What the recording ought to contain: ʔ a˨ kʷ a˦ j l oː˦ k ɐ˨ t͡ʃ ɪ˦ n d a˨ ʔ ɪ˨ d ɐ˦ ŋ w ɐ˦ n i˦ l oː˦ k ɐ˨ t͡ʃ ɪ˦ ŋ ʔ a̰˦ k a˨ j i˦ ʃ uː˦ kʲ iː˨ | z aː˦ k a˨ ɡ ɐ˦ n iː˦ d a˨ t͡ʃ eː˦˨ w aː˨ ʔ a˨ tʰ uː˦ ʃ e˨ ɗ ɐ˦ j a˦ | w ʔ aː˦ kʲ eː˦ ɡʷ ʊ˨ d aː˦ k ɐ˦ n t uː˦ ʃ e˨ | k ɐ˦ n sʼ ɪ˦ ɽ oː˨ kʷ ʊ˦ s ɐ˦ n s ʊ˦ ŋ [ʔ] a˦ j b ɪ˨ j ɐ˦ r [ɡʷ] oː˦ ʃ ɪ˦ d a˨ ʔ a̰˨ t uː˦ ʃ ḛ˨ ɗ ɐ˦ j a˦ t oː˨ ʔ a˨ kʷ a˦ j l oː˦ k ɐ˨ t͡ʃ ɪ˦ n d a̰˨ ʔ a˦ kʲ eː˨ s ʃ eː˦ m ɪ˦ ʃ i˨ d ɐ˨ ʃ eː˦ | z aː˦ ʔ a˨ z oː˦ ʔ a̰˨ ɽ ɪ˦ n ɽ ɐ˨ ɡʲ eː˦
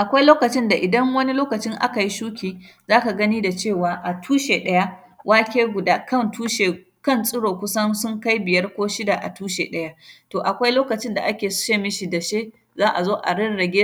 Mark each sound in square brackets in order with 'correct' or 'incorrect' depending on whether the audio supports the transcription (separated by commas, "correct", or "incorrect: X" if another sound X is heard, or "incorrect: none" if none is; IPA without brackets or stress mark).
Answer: incorrect: k, incorrect: kʷ